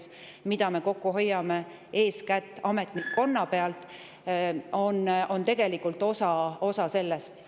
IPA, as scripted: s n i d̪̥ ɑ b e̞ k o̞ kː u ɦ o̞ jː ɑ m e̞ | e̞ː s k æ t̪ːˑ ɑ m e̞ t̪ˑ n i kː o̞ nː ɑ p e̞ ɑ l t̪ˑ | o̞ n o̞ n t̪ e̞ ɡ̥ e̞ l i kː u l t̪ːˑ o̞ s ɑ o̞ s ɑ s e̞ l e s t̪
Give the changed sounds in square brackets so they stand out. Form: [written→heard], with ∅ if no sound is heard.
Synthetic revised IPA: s [n→m] i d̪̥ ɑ [b→m] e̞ k o̞ kː u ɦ o̞ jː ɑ m e̞ | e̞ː s k æ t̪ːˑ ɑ m e̞ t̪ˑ n i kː o̞ nː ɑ p e̞ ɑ l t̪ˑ | o̞ n o̞ n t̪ e̞ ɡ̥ e̞ l i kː u l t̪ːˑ o̞ s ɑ o̞ s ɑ s e̞ [l→lː] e s t̪